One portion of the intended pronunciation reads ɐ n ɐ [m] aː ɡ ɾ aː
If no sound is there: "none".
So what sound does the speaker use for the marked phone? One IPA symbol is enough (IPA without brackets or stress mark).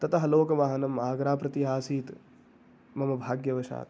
m